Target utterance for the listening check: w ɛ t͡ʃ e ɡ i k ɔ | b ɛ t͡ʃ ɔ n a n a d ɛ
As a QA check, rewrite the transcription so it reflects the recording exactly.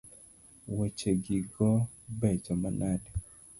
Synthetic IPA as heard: w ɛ t͡ʃ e ɡ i ɡ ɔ | b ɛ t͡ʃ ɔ m a n a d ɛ